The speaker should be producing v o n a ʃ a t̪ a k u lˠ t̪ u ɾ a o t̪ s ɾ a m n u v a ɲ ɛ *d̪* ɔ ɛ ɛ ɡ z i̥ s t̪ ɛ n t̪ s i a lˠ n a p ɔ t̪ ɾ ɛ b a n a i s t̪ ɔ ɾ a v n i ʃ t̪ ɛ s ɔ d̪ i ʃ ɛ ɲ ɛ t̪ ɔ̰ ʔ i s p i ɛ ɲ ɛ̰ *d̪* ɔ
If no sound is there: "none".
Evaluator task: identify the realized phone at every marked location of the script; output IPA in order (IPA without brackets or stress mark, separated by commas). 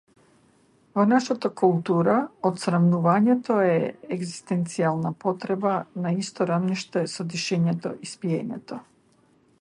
t̪, t̪